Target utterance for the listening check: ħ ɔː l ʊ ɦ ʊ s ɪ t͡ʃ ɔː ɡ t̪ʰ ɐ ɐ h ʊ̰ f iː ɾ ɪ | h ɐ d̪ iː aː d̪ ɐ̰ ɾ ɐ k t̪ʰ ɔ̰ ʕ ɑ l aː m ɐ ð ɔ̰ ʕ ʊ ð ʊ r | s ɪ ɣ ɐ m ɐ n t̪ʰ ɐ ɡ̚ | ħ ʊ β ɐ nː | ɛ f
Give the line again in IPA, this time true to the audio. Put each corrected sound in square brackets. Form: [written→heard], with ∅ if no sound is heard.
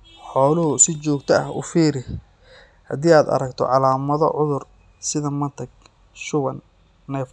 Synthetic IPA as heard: ħ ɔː l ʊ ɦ ʊ s ɪ t͡ʃ ɔː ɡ t̪ʰ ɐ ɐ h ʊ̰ f iː ɾ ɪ | h ɐ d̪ iː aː d̪ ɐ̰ ɾ ɐ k t̪ʰ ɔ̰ ʕ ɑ l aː m ɐ ð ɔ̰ ʕ ʊ ð ʊ r | s ɪ [ɣ→ð] ɐ m ɐ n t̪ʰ ɐ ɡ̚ | [ħ→ʃ] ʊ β ɐ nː | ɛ f